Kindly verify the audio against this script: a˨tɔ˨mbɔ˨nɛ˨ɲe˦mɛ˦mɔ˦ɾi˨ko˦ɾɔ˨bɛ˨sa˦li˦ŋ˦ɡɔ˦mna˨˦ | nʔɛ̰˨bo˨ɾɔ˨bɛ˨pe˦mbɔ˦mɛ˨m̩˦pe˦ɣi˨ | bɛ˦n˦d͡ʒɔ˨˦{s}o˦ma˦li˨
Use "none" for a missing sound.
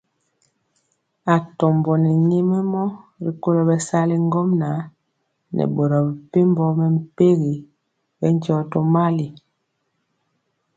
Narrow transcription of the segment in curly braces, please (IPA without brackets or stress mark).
t